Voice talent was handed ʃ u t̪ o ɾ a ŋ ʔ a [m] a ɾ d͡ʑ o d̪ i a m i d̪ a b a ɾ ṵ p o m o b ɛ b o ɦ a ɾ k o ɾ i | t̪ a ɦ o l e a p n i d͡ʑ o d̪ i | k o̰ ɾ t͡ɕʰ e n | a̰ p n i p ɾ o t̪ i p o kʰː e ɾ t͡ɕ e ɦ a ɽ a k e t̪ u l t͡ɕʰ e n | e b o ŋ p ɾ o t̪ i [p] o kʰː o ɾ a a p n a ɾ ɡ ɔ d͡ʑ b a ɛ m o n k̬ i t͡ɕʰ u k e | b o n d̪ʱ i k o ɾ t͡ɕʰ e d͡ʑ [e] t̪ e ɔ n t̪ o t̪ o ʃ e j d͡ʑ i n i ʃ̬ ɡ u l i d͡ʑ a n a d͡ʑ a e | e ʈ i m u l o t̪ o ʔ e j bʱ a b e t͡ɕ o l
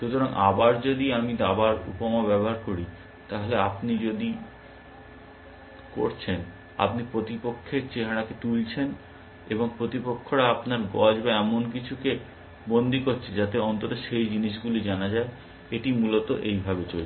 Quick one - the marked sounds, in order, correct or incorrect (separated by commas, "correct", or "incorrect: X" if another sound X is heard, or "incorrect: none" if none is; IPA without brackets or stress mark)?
incorrect: b, correct, incorrect: a